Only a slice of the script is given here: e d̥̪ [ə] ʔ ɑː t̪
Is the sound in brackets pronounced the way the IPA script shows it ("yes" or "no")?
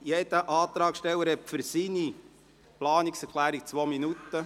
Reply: yes